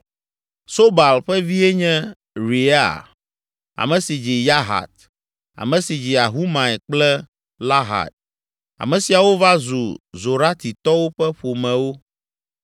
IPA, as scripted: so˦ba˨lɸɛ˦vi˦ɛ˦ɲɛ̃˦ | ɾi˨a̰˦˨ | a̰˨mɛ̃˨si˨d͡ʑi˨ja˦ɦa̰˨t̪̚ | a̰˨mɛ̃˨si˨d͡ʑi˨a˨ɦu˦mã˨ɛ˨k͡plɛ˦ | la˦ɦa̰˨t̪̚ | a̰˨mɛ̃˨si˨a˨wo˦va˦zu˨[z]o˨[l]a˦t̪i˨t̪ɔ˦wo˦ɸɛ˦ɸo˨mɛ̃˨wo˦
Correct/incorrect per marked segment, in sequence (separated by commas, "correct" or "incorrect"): correct, incorrect